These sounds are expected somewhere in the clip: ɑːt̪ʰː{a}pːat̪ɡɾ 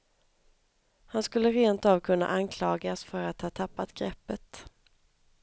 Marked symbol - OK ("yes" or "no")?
yes